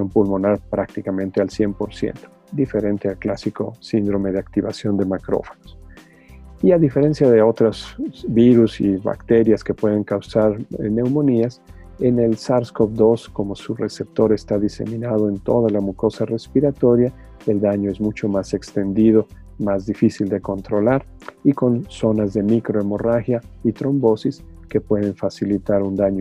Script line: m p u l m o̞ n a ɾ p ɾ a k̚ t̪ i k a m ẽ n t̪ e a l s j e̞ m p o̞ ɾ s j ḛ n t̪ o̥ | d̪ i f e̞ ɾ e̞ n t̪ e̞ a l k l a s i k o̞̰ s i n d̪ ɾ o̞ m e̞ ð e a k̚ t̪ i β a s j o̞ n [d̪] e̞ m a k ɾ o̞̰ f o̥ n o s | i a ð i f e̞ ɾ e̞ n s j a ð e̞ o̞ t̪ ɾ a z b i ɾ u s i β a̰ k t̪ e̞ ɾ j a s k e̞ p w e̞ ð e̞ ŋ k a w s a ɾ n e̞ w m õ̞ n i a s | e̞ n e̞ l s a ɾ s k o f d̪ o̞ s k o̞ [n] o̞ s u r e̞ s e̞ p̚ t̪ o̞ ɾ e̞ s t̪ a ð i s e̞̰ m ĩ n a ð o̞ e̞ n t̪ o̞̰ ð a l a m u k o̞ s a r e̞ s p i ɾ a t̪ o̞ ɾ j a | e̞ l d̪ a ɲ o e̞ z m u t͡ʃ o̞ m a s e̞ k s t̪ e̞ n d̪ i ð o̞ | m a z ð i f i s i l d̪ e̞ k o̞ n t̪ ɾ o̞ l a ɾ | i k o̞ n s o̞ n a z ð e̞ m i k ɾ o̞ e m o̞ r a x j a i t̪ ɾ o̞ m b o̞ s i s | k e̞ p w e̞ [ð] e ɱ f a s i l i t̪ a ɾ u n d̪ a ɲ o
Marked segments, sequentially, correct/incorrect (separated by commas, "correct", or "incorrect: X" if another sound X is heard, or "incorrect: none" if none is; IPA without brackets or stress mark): correct, incorrect: m, correct